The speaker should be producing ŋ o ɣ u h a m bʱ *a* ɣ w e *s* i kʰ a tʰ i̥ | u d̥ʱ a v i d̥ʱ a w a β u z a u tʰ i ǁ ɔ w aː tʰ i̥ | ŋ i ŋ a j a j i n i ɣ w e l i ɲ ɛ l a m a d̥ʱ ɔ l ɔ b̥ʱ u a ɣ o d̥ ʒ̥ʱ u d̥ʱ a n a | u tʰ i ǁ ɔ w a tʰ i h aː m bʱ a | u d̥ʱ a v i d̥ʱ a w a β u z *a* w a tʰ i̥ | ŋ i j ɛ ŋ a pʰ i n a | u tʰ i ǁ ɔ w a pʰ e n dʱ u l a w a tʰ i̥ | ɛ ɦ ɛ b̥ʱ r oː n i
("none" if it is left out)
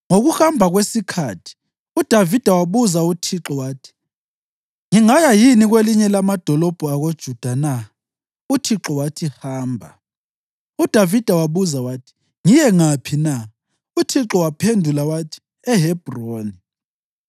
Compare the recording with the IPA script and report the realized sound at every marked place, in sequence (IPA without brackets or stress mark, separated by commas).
a, s, a